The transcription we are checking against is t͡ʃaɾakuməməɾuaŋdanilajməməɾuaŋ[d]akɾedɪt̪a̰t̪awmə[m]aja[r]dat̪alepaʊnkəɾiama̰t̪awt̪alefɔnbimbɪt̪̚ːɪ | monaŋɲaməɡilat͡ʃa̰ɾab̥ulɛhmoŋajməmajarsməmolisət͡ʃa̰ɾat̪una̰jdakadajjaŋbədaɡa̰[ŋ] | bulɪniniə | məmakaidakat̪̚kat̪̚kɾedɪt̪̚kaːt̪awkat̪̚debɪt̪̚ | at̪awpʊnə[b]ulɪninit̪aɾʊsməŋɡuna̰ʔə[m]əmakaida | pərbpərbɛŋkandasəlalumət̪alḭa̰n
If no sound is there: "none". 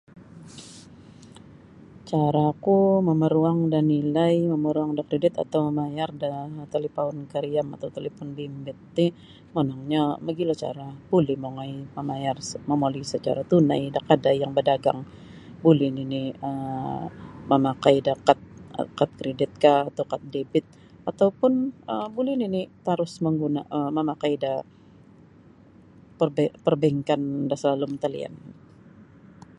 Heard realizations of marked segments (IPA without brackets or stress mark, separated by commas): d, m, r, ŋ, b, m